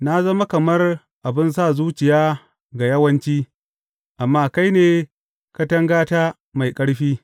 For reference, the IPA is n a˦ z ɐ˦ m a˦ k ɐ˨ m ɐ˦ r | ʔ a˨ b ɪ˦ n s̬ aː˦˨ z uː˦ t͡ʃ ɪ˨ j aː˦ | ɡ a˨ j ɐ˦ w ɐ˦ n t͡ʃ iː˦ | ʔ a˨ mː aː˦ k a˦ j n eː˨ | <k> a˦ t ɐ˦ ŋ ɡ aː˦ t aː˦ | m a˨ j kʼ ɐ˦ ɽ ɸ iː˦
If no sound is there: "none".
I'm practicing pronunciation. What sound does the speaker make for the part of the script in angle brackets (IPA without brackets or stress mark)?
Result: k